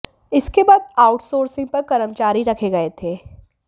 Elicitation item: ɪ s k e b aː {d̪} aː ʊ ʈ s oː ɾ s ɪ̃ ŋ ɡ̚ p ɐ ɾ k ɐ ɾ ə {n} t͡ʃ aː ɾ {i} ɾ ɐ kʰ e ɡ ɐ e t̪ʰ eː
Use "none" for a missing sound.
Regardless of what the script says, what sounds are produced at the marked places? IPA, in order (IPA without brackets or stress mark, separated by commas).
d̪, m, i